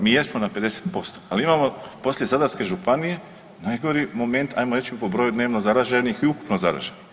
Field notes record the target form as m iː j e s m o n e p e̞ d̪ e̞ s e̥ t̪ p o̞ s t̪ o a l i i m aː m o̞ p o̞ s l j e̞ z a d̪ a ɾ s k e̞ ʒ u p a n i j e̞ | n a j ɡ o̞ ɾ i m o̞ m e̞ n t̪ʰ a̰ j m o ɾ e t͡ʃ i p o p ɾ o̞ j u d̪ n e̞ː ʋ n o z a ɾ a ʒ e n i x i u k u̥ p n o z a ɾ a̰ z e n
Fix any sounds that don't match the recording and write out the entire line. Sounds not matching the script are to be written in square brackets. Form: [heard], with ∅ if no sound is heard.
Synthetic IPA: m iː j e s m o n [a] p e̞ d̪ e̞ s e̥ t̪ p o̞ s t̪ o a l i i m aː m o̞ p o̞ s l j e̞ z a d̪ a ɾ s k e̞ ʒ u p a n i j e̞ | n a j ɡ o̞ ɾ i m o̞ m e̞ n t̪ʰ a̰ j m o ɾ e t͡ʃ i p o [b] ɾ o̞ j u d̪ n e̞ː ʋ n o z a ɾ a ʒ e n i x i u k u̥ p n o z a ɾ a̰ [ʒ] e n